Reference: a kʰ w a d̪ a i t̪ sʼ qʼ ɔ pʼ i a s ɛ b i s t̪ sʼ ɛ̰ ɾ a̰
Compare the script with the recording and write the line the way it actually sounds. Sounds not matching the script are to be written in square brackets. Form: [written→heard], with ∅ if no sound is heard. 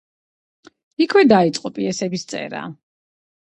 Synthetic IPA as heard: [a→i] kʰ w [a→ɛ] d̪ a i t̪ sʼ qʼ ɔ pʼ i [a→ɛ] s ɛ b i s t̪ sʼ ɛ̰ ɾ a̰